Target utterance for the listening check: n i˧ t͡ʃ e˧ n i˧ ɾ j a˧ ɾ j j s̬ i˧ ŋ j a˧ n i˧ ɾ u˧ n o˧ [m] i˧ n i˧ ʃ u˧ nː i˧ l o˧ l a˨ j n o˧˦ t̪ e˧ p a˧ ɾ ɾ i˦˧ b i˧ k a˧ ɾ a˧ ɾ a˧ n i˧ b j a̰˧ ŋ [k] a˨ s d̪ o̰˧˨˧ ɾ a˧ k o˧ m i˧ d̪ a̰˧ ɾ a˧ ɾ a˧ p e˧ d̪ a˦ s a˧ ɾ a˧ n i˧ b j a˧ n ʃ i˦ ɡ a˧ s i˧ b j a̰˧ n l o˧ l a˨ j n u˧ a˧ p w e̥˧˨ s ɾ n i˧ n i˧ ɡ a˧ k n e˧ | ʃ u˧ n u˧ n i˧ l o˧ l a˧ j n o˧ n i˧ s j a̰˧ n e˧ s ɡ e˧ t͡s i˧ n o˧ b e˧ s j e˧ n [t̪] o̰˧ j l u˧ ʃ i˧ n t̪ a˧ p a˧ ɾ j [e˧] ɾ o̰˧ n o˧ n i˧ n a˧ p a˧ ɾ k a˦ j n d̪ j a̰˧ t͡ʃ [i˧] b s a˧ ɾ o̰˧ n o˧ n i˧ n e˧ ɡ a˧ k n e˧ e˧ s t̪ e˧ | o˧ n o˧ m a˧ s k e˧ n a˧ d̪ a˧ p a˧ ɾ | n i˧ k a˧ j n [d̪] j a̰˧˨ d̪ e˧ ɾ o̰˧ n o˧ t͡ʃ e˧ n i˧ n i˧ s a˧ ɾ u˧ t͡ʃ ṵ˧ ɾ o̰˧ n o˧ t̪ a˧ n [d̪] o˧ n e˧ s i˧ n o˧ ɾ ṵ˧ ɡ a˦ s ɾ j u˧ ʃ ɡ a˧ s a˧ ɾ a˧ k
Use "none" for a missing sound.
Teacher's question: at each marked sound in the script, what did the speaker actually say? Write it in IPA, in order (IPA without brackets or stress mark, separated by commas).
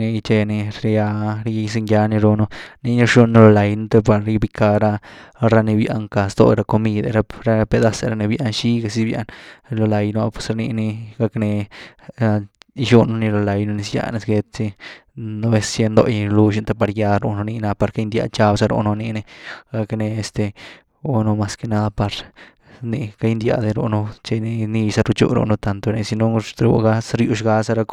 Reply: n, k, d̪, a˧, a˧, d̪, t̪